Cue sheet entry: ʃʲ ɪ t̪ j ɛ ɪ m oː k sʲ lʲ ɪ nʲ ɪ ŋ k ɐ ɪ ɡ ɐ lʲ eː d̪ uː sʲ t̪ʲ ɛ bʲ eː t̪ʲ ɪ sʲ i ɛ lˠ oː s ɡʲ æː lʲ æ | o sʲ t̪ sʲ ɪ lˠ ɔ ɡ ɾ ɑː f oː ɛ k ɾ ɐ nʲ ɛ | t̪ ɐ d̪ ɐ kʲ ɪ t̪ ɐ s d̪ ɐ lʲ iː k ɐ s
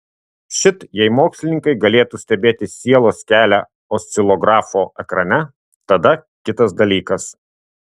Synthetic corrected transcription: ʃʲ ɪ t̪ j ɛ ɪ m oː k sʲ lʲ ɪ nʲ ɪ ŋ k ɐ ɪ ɡ ɐ lʲ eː t̪ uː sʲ t̪ʲ ɛ bʲ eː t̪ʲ ɪ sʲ i ɛ lˠ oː s kʲ æː lʲ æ | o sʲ t̪ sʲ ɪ lˠ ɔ ɡ ɾ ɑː f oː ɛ k ɾ ɐ nʲ ɛ | t̪ ɐ d̪ ɐ kʲ ɪ t̪ ɐ s d̪ ɐ lʲ iː k ɐ s